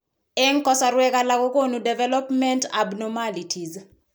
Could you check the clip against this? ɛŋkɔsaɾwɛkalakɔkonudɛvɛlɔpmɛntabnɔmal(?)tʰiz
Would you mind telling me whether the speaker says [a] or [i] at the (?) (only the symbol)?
i